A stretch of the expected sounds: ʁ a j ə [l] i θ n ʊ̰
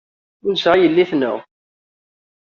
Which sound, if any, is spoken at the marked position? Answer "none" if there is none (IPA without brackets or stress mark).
lː